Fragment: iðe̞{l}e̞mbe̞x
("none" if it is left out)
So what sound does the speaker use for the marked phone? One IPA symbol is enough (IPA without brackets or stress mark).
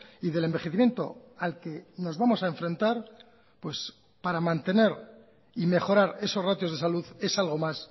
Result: l